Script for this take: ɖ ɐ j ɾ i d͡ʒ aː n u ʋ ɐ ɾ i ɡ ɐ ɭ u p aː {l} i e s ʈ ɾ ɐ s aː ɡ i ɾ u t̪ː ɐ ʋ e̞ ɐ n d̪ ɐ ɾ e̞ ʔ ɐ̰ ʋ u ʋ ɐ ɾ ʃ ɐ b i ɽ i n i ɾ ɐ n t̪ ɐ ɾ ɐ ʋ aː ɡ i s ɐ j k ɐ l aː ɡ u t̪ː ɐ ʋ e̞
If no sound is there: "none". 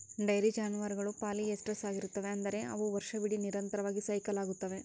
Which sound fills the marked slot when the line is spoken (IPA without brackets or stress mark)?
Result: l